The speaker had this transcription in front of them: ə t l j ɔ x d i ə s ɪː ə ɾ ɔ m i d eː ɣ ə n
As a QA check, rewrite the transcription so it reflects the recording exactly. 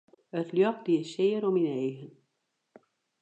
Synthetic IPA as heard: ə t l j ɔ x d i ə s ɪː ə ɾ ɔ m i n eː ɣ ə n